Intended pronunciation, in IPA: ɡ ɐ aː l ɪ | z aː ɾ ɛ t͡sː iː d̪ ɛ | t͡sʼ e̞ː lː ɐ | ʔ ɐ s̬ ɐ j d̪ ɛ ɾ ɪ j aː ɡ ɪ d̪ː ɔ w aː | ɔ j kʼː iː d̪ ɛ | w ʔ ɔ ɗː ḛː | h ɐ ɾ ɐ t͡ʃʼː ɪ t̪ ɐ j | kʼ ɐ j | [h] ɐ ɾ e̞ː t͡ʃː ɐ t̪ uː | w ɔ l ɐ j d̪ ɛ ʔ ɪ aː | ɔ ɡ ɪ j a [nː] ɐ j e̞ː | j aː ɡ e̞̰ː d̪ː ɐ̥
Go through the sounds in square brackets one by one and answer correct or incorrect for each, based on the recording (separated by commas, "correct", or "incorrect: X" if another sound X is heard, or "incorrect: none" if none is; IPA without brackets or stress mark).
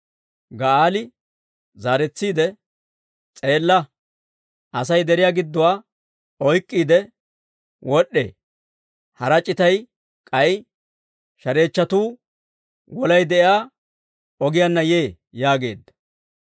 incorrect: ʃ, correct